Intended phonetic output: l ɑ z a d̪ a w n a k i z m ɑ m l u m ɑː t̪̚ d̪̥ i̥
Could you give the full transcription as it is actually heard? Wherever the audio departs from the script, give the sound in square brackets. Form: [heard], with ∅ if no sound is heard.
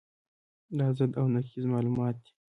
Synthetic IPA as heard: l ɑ z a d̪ a w n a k i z m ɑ [∅] l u m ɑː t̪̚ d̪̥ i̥